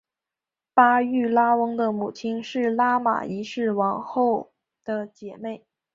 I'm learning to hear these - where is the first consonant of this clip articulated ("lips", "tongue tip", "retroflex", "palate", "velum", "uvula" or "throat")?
lips